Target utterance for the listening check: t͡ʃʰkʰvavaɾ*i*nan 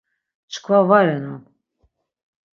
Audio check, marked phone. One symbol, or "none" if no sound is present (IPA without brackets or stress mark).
ɛ